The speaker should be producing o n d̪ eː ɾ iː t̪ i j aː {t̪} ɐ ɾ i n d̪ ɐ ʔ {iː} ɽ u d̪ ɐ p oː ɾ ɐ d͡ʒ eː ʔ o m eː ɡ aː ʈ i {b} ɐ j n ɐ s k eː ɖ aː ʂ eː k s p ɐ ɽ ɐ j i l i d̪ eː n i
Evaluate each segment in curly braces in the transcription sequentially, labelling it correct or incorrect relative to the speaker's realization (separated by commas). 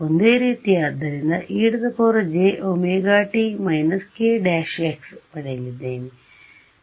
incorrect, correct, incorrect